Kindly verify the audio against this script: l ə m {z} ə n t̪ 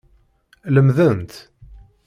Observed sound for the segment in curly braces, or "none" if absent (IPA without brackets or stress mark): ð